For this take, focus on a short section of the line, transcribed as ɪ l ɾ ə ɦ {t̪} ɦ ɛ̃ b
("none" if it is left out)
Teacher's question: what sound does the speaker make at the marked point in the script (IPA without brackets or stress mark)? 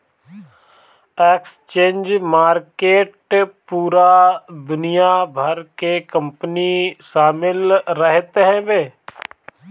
t̪